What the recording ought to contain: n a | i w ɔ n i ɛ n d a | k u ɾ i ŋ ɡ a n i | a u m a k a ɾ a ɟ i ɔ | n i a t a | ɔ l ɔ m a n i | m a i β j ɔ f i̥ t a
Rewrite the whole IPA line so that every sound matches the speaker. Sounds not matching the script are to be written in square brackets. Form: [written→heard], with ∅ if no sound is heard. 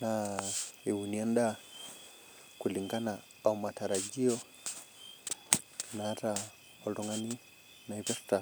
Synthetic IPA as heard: n a | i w [ɔ→u] n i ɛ n d a | k u [ɾ→l] i ŋ ɡ a n [i→a] | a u m a [k→t] a ɾ a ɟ i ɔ | n [i→a] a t a | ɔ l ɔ [m→ŋ] a n i | [m→n] a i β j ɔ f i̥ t a